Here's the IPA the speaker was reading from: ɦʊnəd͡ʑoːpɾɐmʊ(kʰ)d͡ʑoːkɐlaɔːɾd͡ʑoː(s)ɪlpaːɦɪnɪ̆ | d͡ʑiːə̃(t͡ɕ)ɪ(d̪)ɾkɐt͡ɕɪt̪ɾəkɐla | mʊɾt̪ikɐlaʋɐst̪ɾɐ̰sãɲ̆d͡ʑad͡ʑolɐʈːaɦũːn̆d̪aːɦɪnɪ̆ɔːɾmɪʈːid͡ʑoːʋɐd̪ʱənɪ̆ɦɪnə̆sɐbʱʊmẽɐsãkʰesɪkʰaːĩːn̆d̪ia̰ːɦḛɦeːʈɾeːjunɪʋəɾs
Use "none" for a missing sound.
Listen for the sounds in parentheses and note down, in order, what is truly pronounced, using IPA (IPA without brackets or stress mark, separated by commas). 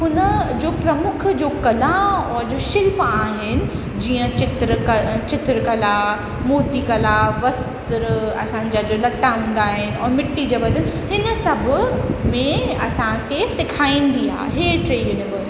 kʰ, ʃ, t͡ɕ, t̪